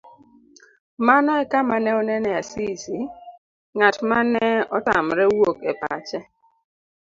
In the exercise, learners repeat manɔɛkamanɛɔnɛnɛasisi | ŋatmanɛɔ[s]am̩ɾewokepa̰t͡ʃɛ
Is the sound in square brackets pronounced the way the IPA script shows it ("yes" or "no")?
no